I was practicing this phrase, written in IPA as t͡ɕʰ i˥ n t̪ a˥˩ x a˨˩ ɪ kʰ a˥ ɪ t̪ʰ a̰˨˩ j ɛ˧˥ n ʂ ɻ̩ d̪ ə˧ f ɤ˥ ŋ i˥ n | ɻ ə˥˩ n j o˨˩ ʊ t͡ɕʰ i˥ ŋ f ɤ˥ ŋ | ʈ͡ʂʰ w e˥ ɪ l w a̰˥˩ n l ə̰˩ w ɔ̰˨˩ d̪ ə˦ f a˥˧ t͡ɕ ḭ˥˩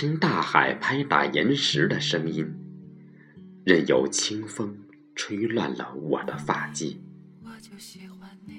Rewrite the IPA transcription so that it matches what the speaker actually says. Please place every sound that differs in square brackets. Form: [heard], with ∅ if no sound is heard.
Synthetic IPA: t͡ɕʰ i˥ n t̪ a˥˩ x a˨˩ ɪ [pʰ] a˥ ɪ [t̪] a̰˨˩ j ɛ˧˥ n ʂ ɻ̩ d̪ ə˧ [ʂ] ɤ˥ ŋ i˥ n | ɻ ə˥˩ n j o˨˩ ʊ t͡ɕʰ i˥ ŋ f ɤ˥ ŋ | ʈ͡ʂʰ w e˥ ɪ l w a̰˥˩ n l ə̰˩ w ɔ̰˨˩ d̪ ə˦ f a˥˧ t͡ɕ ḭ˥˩